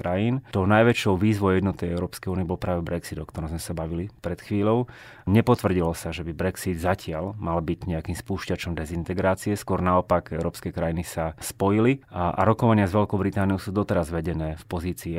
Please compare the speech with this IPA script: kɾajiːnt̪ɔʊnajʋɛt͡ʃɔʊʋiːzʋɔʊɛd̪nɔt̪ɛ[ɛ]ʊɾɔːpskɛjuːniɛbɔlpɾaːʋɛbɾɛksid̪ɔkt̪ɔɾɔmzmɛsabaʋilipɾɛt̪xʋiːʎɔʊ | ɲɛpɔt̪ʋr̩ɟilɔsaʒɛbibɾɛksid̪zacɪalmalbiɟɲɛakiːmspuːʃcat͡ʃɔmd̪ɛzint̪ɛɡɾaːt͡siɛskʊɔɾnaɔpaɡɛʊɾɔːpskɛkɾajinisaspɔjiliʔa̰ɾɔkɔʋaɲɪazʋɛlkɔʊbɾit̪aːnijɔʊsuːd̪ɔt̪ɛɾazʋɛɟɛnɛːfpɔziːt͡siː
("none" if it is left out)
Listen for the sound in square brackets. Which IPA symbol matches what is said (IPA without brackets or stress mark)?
ɛ